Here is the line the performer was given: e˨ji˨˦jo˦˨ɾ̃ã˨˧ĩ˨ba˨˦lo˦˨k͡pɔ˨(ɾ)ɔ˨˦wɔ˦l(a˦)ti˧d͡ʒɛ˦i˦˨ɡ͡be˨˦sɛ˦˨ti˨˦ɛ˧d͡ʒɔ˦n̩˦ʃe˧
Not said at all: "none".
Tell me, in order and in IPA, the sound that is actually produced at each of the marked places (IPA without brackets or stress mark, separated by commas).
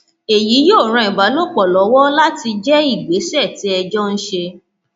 l, a˦